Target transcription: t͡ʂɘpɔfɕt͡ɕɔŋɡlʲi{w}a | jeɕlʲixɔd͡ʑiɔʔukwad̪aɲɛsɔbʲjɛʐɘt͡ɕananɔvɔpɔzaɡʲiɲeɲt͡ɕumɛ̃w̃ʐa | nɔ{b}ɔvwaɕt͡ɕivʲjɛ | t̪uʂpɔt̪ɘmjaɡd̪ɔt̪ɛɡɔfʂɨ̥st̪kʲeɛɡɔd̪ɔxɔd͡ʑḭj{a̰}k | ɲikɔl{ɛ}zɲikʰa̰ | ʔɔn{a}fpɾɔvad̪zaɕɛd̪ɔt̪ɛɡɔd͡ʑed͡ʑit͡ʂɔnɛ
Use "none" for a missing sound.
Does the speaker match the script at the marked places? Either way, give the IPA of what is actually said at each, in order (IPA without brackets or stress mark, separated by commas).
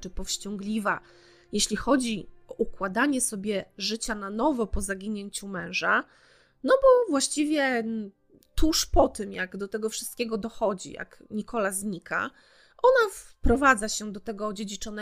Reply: v, b, a̰, a, a